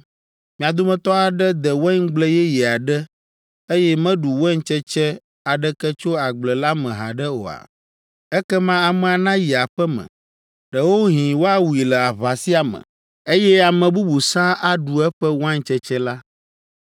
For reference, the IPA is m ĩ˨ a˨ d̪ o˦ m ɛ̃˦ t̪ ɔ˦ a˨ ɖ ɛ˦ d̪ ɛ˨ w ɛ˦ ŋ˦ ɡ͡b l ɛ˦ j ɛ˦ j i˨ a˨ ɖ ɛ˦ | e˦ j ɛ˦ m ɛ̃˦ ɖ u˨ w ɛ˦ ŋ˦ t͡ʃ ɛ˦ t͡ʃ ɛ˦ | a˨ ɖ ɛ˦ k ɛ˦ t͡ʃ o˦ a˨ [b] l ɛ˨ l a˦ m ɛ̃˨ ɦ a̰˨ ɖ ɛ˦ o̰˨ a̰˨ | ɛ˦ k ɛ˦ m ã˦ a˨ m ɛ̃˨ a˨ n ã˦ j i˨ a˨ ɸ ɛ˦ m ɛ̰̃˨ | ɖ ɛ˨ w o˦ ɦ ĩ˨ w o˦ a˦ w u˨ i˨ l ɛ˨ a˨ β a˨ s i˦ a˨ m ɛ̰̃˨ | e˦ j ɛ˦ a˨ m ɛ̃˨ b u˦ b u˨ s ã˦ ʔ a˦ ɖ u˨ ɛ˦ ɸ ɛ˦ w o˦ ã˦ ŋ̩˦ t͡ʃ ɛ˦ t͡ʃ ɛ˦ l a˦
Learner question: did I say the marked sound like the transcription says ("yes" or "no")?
no